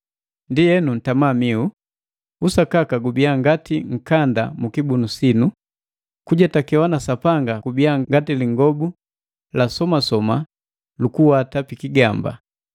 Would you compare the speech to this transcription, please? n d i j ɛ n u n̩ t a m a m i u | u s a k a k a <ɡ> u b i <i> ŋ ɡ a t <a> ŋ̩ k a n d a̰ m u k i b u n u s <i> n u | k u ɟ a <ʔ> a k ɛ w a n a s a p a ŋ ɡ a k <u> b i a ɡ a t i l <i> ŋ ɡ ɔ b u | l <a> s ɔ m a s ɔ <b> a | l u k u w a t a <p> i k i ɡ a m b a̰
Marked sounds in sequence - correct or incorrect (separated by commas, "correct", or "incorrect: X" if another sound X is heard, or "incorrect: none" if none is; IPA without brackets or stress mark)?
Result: correct, incorrect: a, incorrect: i, correct, incorrect: t, correct, correct, correct, incorrect: m, correct